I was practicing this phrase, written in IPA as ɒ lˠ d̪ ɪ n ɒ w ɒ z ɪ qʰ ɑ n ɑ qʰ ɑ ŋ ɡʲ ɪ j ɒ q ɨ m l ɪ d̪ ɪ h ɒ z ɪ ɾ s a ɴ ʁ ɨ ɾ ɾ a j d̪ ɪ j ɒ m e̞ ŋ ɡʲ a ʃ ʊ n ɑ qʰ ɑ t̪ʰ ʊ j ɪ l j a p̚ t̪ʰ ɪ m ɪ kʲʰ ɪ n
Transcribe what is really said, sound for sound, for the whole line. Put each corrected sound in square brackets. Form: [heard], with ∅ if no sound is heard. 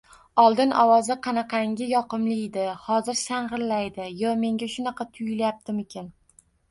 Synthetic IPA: ɒ lˠ d̪ ɪ n ɒ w ɒ z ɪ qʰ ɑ n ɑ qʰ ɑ ŋ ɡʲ ɪ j ɒ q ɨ m l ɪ d̪ ɪ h ɒ z ɪ ɾ s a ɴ ʁ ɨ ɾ [l] a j d̪ ɪ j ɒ m e̞ ŋ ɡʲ a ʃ ʊ n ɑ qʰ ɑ t̪ʰ ʊ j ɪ l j a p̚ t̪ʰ ɪ m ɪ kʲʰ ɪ n